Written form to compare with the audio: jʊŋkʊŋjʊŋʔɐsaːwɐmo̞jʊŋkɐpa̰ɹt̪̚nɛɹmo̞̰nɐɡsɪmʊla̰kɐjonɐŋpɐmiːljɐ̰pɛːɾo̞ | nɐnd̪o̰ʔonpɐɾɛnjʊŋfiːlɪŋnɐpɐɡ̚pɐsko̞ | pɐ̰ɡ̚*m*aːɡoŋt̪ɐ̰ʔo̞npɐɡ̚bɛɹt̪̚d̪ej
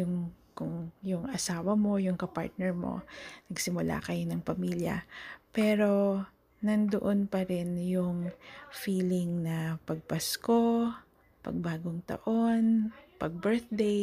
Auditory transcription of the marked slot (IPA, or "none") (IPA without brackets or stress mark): b